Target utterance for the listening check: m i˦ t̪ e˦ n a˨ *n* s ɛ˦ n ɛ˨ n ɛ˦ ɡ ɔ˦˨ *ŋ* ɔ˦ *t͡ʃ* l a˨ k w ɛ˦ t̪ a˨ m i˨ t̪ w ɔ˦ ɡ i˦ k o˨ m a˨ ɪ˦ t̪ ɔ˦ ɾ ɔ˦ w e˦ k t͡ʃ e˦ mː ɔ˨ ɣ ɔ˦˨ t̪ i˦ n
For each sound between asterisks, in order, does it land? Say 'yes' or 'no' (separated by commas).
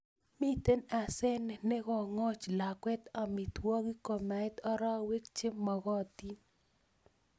no, yes, yes